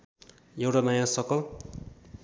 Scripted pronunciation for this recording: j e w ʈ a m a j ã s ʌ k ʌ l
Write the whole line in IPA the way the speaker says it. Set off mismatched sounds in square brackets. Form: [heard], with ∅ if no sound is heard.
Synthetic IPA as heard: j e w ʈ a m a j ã s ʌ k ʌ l